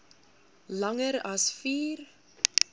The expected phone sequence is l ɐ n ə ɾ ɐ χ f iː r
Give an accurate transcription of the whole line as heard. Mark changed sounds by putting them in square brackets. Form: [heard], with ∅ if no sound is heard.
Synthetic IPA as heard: l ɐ [ŋ] ə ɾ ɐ [s] f iː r